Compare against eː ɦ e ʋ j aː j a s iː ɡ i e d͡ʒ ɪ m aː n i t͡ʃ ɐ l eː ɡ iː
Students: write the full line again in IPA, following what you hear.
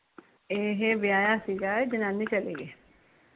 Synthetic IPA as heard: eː ɦ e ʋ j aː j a s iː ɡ a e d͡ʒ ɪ n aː n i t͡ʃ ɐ l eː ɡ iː